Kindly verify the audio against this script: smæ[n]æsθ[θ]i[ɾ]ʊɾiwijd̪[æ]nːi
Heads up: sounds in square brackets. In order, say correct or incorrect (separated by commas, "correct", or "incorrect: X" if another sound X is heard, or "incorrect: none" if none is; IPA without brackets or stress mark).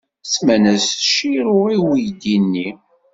correct, incorrect: ʃ, correct, incorrect: i